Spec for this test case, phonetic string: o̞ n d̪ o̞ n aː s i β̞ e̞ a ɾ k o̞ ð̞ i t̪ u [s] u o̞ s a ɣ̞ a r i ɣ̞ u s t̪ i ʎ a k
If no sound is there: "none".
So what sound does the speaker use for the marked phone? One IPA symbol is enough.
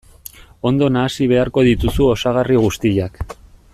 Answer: s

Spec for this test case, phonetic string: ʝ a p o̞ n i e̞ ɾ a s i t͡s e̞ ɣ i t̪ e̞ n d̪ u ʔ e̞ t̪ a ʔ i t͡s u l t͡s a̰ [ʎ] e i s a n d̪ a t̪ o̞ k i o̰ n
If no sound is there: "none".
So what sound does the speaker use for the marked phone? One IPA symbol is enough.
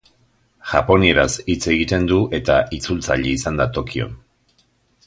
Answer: ʎ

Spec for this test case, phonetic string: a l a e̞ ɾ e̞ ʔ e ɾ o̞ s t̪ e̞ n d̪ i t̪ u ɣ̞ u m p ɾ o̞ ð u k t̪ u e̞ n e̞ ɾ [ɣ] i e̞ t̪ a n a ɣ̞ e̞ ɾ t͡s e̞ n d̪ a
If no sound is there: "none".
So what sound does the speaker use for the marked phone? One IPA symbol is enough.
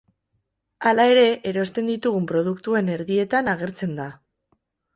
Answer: ð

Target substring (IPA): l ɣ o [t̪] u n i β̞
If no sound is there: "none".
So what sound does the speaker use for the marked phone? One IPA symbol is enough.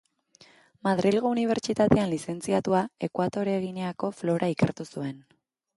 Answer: none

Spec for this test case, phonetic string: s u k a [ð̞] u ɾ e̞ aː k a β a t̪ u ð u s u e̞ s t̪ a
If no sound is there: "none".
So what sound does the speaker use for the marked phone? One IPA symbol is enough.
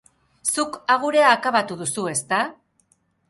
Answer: ɣ̞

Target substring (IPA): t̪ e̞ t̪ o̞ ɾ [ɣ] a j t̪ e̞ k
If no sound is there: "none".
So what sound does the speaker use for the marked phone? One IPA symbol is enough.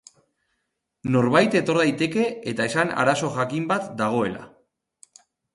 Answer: ð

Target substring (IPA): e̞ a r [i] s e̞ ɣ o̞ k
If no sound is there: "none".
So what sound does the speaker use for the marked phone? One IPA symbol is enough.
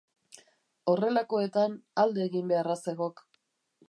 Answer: a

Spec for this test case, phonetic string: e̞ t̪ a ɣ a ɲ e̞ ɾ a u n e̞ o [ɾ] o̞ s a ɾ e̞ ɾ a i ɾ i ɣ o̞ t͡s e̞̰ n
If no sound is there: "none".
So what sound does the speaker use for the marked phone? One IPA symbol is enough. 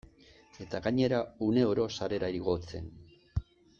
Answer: ɾ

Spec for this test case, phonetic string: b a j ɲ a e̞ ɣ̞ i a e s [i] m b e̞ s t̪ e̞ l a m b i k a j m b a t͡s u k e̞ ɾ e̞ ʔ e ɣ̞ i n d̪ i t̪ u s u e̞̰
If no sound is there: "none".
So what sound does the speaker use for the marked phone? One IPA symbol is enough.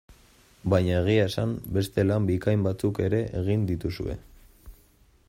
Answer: a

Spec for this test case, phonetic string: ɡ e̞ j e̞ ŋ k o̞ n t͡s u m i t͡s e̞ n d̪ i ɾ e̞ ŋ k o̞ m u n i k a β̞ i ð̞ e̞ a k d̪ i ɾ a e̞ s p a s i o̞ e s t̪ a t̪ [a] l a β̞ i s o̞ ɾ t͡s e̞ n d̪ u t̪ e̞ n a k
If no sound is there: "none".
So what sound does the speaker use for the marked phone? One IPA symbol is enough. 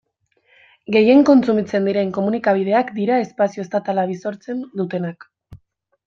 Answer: a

